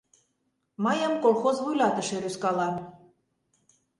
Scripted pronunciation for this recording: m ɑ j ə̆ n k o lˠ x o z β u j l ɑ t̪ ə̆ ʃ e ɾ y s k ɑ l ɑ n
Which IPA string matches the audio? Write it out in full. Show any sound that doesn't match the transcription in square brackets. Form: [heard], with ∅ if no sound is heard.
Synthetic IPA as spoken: m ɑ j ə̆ [m] k o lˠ x o z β u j l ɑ t̪ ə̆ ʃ e ɾ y s k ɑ l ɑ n